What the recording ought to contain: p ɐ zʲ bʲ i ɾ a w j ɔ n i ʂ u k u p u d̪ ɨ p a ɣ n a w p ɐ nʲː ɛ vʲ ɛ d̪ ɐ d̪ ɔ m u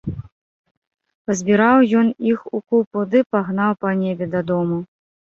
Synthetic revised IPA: p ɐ zʲ bʲ i ɾ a w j ɔ n i x u k u p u d̪ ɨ p a ɣ n a w p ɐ nʲ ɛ bʲ ɛ d̪ ɐ d̪ ɔ m u